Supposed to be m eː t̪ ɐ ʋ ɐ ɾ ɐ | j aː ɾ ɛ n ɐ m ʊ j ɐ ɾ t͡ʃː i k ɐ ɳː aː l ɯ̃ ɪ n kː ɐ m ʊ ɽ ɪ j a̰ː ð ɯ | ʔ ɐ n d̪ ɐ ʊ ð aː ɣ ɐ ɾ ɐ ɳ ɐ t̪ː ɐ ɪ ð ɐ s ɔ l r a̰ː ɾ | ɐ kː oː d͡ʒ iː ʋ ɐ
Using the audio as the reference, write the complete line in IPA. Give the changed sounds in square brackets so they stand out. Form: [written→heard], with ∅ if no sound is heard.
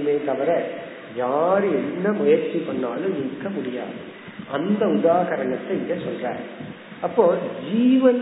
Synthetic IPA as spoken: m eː t̪ ɐ ʋ ɐ ɾ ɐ | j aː ɾ ɛ [n→nː] ɐ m ʊ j ɐ ɾ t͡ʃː i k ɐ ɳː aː l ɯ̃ ɪ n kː ɐ m ʊ ɽ ɪ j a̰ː ð ɯ | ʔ ɐ n d̪ ɐ ʊ ð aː ɣ ɐ ɾ ɐ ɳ ɐ t̪ː ɐ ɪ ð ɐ s ɔ l r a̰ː ɾ | ɐ [kː→pː] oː d͡ʒ iː ʋ ɐ